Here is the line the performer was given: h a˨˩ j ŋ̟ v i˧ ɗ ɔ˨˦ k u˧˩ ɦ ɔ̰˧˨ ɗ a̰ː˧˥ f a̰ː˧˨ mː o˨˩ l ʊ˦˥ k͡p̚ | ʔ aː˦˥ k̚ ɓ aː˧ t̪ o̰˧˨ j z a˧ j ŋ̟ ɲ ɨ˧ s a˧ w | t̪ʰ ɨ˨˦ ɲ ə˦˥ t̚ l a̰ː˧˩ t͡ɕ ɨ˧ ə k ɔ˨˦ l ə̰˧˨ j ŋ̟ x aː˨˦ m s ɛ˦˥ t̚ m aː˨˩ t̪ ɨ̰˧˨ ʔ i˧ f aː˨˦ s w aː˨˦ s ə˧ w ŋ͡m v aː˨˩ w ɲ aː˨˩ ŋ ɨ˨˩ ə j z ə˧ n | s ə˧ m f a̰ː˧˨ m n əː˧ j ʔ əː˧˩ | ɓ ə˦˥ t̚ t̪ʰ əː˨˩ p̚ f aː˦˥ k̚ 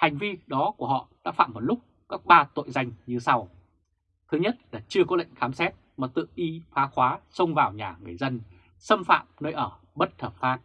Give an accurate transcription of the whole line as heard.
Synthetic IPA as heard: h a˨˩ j ŋ̟ v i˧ ɗ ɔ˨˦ k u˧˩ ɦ ɔ̰˧˨ ɗ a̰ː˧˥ f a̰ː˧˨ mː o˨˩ l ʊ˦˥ k͡p̚ | k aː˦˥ k̚ ɓ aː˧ t̪ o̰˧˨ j z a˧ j ŋ̟ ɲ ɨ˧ s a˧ w | t̪ʰ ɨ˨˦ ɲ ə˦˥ t̚ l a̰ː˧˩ t͡ɕ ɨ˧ ə k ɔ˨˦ l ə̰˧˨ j ŋ̟ x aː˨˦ m s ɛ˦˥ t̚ m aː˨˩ t̪ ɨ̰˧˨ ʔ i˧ f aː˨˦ x w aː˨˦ s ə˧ w ŋ͡m v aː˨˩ w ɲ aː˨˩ ŋ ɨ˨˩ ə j z ə˧ n | s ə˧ m f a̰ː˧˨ m n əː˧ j ʔ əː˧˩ | ɓ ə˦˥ t̚ t̪ʰ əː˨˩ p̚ f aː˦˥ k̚